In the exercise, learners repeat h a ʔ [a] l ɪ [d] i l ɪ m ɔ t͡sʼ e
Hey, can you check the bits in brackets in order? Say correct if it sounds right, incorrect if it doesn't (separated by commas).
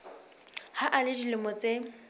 correct, correct